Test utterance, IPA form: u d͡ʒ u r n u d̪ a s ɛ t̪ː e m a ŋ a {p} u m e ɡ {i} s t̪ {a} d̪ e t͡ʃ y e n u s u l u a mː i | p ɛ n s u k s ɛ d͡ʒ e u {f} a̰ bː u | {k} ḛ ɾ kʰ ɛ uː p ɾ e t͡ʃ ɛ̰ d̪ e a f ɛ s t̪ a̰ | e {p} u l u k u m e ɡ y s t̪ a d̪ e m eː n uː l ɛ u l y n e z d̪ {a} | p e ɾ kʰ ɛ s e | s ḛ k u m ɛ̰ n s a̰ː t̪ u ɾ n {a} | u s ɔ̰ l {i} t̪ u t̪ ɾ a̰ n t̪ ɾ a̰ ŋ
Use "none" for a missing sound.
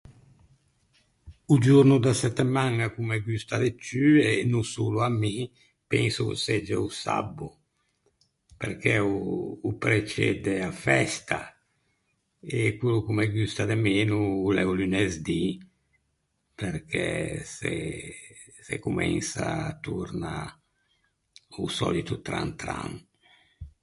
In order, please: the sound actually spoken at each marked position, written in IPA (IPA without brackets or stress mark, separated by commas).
k, y, a, s, p, k, i, a, i